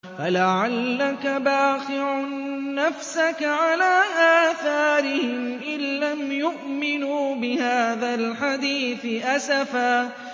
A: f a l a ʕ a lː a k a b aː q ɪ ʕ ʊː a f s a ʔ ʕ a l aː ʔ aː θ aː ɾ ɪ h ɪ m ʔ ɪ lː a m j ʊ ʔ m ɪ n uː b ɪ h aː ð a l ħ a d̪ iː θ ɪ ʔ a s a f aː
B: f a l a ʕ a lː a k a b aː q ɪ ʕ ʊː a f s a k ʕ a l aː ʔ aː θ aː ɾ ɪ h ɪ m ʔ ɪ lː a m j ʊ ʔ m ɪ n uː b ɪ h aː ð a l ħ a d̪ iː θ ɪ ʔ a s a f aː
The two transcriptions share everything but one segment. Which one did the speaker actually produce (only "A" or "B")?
B